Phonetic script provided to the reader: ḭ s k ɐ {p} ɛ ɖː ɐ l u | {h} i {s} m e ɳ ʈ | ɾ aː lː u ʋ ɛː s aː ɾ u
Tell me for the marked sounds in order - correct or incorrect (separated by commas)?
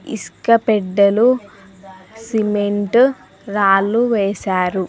correct, incorrect, incorrect